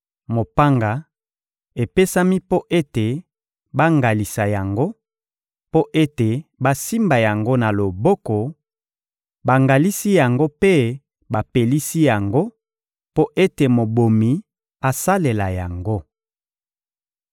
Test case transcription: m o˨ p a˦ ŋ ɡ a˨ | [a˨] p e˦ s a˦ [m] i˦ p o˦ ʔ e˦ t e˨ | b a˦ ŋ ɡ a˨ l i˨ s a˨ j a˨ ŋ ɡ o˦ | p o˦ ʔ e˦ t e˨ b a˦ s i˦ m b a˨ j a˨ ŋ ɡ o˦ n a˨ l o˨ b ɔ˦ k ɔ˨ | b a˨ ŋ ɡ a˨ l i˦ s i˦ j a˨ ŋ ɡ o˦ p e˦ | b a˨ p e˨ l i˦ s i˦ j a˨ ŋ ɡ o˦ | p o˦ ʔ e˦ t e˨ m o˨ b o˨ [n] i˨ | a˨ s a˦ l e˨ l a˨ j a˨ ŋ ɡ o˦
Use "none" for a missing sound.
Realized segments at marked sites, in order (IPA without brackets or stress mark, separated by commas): e˨, m, m